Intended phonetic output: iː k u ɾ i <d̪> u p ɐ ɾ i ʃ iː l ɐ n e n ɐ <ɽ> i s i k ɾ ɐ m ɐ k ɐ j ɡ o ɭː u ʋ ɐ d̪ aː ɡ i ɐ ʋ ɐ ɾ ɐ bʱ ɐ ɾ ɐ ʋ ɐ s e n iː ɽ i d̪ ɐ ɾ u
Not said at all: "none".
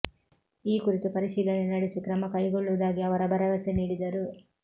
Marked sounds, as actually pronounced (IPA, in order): t̪, ɽ

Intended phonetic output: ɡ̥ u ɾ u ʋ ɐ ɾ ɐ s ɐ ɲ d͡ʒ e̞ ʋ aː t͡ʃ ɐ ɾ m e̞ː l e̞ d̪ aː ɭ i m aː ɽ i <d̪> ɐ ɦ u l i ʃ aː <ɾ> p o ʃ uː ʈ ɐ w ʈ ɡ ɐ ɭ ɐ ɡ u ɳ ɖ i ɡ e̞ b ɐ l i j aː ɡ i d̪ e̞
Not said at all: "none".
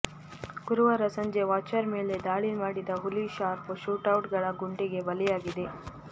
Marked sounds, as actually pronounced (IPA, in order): d̪, ɾ

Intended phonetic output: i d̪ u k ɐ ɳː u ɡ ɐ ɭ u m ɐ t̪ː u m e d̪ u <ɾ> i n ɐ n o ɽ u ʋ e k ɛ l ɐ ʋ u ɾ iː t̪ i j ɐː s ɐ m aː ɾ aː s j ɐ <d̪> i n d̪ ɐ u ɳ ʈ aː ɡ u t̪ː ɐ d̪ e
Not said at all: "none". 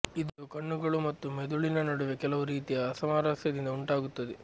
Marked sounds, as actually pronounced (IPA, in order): ɭ, d̪

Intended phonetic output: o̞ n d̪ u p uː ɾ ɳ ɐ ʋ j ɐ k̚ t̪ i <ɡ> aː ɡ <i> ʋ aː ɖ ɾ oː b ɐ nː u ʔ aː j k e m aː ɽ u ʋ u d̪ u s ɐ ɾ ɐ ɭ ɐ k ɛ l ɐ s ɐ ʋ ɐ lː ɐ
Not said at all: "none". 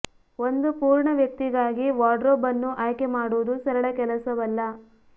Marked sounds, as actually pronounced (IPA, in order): ɡ, i

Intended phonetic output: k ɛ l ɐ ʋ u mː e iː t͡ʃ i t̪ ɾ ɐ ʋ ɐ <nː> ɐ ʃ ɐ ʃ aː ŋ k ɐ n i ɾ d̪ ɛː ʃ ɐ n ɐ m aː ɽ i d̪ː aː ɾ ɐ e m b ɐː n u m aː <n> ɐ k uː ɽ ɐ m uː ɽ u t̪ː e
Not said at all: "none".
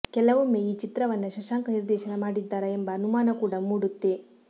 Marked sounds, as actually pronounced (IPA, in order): nː, n

